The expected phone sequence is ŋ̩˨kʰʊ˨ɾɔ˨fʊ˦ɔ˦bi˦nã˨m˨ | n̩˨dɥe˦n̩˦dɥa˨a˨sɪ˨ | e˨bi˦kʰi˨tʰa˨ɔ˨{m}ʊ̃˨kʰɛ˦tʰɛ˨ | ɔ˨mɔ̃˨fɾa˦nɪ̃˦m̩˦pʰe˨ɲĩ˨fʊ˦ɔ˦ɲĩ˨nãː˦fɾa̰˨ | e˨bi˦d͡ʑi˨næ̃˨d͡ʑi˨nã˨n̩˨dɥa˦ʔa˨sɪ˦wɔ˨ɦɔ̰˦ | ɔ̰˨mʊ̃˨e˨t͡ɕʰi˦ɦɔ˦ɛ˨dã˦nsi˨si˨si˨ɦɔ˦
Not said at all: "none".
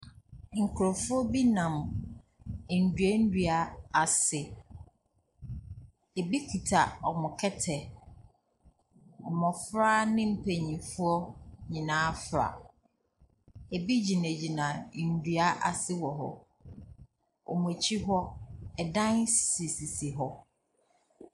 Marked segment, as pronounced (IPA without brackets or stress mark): m